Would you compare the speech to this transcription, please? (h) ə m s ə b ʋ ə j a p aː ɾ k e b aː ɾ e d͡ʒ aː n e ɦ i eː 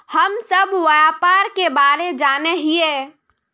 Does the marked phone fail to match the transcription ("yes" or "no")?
no